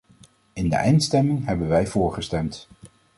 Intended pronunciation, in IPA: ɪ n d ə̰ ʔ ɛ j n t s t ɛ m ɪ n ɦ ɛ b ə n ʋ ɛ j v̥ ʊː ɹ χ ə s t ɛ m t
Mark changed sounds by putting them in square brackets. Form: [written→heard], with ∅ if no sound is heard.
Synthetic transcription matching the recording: ɪ n d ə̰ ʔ ɛ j n t s t ɛ m ɪ [n→ŋ] ɦ ɛ b ə n ʋ ɛ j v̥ ʊː ɹ χ ə s t ɛ m t